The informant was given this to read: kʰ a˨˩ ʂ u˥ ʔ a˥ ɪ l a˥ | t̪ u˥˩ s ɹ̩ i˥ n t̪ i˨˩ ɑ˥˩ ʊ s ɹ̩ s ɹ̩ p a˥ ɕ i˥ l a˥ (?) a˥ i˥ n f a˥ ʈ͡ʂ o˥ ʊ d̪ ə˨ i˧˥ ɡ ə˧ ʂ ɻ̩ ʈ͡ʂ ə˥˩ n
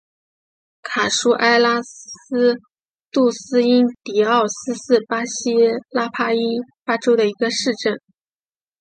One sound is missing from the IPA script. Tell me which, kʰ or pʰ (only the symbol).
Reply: pʰ